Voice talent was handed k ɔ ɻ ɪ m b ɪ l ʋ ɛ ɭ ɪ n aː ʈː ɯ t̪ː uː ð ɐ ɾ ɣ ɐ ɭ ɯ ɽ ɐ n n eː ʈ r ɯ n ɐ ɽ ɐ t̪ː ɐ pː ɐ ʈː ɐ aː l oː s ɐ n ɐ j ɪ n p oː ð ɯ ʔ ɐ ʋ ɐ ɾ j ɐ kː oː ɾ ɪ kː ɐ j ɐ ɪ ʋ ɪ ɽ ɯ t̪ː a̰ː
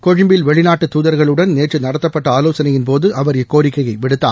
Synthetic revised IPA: k ɔ ɻ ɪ m b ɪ l ʋ ɛ ɭ ɪ n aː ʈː ɯ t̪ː uː ð ɐ ɾ ɣ ɐ ɭ ɯ ɽ ɐ n n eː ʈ r ɯ n ɐ ɽ ɐ t̪ː ɐ pː ɐ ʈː ɐ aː l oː s ɐ n ɐ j ɪ n p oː ð ɯ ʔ ɐ ʋ ɐ ɾ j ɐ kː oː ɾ ɪ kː ɐ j ɐ ɪ ʋ ɪ ɽ ɯ t̪ː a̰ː